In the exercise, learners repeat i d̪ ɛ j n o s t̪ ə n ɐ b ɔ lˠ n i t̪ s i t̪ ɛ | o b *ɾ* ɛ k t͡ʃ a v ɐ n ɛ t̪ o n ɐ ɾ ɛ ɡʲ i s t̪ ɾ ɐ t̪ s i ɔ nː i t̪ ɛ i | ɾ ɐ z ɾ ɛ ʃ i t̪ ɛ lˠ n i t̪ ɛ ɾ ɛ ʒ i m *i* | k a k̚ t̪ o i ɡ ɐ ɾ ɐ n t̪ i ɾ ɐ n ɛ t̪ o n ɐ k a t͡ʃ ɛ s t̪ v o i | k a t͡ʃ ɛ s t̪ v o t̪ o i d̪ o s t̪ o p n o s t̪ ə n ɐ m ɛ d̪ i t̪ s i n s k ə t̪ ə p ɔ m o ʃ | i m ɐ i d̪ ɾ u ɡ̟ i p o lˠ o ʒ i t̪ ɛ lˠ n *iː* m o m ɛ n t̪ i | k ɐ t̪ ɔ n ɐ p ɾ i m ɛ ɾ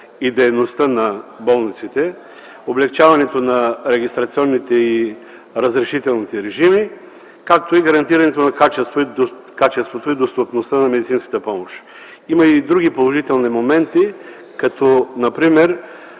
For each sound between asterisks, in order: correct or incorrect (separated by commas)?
incorrect, correct, incorrect